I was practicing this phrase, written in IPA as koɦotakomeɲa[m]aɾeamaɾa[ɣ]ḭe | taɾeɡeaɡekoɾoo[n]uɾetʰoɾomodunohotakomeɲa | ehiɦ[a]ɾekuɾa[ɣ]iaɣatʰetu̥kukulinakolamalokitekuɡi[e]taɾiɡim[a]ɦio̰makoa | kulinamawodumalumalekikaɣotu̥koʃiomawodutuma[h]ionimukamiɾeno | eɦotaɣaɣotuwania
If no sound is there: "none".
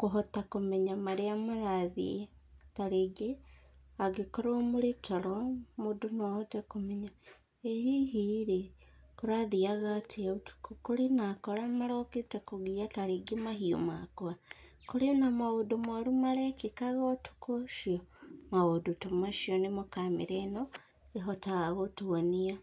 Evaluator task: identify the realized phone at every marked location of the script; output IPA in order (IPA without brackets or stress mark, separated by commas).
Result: m, ð, m, i, ð, a, a, ʃ